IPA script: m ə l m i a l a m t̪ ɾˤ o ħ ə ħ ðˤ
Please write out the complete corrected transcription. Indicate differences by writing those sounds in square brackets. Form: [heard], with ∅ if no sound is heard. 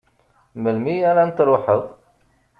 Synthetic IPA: m ə l m i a [ɾ] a [n] t̪ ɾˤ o ħ ə [∅] ðˤ